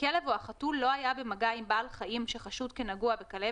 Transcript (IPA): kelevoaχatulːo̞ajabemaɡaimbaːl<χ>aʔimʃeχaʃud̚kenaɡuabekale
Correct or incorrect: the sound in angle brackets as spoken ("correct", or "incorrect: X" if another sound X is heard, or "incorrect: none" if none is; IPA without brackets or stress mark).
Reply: correct